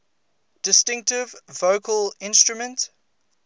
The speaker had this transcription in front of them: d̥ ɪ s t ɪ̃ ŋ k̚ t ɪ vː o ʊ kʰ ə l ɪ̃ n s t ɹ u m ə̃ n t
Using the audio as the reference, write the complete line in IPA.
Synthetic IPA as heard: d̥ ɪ s t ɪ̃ ŋ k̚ t ɪ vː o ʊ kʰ ə l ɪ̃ n s t ɹ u m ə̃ n t